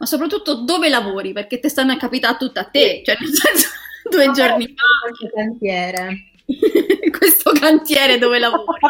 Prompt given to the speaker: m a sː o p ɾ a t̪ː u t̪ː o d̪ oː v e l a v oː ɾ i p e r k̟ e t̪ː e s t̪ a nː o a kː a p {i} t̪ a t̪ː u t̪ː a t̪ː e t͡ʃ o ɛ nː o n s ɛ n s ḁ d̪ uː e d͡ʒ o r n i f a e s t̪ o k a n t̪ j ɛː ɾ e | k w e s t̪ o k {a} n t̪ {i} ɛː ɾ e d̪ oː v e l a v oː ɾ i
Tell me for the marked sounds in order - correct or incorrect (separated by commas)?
correct, correct, incorrect